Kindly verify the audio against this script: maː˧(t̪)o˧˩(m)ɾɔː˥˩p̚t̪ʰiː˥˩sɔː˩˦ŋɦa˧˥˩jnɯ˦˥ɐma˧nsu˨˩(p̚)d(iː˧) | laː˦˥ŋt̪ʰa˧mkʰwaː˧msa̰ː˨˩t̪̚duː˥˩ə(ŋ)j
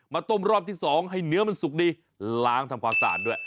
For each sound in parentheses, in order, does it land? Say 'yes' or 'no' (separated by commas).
yes, yes, no, yes, no